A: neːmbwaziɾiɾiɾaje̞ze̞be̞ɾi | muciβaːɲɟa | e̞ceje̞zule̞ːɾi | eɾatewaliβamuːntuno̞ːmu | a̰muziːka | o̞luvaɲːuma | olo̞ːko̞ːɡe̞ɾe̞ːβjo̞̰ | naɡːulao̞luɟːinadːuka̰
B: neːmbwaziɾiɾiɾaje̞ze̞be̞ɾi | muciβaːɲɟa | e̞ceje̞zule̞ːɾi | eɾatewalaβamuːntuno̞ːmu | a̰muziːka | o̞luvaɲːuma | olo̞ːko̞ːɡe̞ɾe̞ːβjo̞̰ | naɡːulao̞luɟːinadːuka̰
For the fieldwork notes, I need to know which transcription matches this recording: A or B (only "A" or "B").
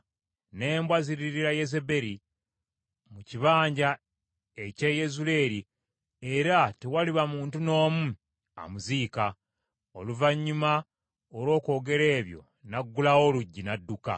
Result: A